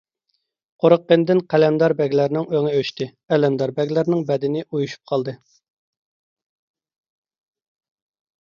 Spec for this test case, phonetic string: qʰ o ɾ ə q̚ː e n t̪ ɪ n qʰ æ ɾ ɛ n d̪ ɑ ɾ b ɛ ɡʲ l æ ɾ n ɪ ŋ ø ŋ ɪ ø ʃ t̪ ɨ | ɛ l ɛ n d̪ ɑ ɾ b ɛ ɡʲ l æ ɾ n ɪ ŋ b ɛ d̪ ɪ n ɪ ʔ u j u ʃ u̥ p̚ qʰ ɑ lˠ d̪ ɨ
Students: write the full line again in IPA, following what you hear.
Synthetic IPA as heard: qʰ o ɾ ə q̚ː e n d̪ ɪ n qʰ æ l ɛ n d̪ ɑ ɾ b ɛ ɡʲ l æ ɾ n ɪ ŋ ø ŋ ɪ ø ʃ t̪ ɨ | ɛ l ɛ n d̪ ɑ ɾ b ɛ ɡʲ l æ ɾ n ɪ ŋ b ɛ d̪ ɪ n ɪ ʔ u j u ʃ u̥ p̚ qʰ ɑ lˠ d̪ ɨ

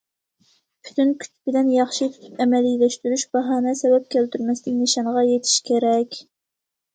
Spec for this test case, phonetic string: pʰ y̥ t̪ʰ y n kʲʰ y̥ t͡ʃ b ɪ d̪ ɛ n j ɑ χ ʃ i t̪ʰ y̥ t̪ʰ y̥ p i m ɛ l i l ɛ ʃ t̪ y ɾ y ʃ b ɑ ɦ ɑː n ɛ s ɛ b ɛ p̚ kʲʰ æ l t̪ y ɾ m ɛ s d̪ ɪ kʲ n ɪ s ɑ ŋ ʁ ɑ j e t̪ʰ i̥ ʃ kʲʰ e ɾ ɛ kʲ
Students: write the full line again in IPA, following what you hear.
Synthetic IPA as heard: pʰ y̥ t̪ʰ y n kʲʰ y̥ t͡ʃ b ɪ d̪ ɛ n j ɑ χ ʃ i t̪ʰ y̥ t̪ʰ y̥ p ɛ m ɛ l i l ɛ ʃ t̪ y ɾ y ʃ b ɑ ɦ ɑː n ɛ s ɛ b ɛ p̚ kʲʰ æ l t̪ y ɾ m ɛ s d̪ ɪ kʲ n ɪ ʃ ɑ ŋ ʁ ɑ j e t̪ʰ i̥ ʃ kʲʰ e ɾ ɛ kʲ

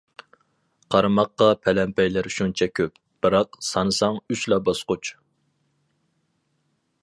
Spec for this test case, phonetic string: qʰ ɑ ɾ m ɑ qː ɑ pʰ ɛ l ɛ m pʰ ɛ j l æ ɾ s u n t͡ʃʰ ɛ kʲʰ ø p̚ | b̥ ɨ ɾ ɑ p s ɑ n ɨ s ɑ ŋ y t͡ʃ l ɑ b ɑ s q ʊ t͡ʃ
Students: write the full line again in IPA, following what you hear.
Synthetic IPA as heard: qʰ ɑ ɾ m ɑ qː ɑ pʰ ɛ l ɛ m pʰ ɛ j l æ ɾ ʃ u n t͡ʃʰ ɛ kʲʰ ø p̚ | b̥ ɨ ɾ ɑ q s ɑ n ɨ s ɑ ŋ y t͡ʃ l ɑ b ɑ s q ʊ t͡ʃ

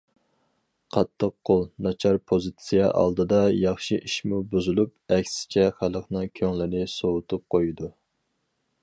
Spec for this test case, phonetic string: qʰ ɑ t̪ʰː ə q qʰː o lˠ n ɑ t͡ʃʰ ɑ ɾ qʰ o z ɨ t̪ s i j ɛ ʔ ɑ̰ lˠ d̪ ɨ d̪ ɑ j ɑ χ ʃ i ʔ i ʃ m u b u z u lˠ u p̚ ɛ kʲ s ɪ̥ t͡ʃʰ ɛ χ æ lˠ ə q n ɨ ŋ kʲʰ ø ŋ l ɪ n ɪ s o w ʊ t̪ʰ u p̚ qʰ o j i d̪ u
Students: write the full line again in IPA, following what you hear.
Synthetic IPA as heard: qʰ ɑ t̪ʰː ə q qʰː o lˠ n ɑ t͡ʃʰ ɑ ɾ pʰ o z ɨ t̪ s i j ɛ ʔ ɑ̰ lˠ d̪ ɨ d̪ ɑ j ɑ χ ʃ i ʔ i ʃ m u b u z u lˠ u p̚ ɛ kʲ s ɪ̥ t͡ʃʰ ɛ χ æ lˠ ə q n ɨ ŋ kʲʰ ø ŋ l ɪ n ɪ s o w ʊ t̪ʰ u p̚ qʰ o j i d̪ u

